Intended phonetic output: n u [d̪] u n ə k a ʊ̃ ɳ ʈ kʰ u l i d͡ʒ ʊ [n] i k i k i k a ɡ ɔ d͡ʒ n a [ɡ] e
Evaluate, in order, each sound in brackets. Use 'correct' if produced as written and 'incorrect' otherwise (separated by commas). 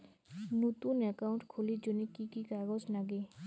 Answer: incorrect, correct, correct